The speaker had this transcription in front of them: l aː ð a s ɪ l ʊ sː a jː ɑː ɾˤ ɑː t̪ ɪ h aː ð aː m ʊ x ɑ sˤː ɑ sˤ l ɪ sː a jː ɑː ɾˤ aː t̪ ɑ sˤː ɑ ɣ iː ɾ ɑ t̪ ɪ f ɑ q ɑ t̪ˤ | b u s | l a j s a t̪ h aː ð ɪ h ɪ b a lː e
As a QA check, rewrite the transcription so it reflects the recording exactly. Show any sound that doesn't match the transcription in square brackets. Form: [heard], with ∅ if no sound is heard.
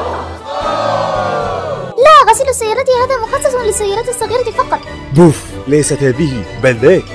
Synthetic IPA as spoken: l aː [ɣ] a s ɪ l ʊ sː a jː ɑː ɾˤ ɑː t̪ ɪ h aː ð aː m ʊ x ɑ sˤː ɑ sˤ l ɪ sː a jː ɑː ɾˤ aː t̪ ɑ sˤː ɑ ɣ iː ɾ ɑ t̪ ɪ f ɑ q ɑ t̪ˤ | b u [f] | l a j s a t̪ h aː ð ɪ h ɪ b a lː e